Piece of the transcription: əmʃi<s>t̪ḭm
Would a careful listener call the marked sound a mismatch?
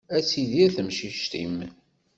yes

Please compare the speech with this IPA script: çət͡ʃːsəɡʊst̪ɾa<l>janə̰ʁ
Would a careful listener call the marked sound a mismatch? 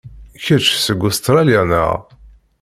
no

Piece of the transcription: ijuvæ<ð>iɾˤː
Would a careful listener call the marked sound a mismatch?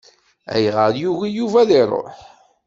no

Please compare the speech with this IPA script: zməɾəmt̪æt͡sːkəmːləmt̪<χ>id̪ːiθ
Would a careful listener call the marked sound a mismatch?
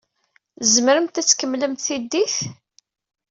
yes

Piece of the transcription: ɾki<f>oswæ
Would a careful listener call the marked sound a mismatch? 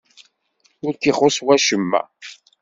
yes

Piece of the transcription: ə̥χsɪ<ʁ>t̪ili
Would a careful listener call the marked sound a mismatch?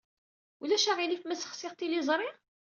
no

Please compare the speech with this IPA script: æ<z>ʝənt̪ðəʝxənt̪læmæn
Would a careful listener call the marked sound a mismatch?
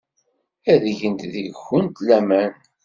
yes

